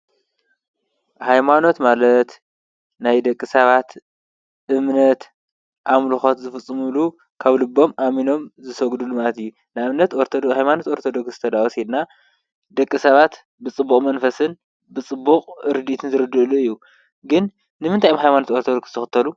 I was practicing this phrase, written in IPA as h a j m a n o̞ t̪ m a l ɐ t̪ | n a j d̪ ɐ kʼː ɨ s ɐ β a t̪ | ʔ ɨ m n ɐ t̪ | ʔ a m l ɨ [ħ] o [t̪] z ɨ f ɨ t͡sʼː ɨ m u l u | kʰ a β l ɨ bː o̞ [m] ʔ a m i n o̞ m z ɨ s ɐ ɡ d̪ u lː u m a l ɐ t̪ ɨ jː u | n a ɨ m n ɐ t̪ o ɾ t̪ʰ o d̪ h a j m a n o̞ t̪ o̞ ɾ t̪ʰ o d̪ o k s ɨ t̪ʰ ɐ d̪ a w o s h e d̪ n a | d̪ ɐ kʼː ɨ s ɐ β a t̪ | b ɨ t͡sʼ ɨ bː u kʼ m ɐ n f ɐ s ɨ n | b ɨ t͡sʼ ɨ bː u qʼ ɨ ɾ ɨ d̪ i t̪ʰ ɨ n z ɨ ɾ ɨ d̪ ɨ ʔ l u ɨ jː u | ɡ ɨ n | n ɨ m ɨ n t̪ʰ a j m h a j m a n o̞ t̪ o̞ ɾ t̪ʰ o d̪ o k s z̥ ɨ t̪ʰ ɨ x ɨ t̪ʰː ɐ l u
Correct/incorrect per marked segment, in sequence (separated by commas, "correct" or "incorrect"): incorrect, correct, correct